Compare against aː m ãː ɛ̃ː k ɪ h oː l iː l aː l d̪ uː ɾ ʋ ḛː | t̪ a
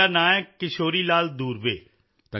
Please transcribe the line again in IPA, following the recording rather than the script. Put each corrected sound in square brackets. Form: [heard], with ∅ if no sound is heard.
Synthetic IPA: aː [n] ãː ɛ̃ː k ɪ [ʃ] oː [ɾ] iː l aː l d̪ uː ɾ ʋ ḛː | t̪ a